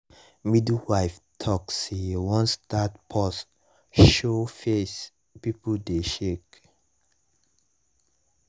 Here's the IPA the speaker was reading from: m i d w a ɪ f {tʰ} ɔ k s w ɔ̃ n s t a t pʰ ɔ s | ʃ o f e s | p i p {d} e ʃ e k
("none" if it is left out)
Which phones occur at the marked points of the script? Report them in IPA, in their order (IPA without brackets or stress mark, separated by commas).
tʰ, d